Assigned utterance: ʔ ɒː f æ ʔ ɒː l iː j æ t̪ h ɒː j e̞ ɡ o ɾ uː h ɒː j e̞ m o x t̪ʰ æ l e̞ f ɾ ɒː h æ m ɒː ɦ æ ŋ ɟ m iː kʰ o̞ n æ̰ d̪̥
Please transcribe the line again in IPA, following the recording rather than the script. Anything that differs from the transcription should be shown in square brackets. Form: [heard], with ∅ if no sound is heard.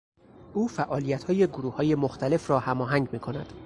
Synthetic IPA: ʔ [uː] f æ ʔ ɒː l [i] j æ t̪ h ɒː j e̞ ɡ o ɾ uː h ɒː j e̞ m o x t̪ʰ æ l e̞ f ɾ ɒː h æ m ɒː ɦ æ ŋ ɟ m iː kʰ o̞ n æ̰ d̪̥